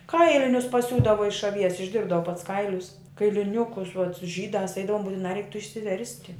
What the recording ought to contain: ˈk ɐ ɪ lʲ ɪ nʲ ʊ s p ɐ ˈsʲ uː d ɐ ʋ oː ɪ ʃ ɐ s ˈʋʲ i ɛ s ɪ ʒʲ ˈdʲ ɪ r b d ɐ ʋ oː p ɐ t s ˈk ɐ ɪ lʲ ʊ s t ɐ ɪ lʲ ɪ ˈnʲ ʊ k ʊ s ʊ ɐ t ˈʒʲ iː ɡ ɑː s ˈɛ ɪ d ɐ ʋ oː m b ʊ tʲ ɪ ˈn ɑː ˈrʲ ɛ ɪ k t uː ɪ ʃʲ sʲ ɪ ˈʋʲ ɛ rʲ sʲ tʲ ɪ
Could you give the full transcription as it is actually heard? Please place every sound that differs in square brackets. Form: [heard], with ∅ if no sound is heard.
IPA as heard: ˈk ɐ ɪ lʲ ɪ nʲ ʊ s p ɐ ˈsʲ uː d ɐ ʋ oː ɪ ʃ ɐ [∅] ˈʋʲ i ɛ s ɪ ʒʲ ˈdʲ ɪ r b d ɐ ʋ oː p ɐ t s ˈk ɐ ɪ lʲ ʊ s [k] ɐ ɪ lʲ ɪ ˈnʲ ʊ k ʊ s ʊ ɐ t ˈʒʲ iː [d] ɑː s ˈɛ ɪ d ɐ ʋ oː m b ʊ tʲ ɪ ˈn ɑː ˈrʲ ɛ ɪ k t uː ɪ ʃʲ sʲ ɪ ˈʋʲ ɛ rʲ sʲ tʲ ɪ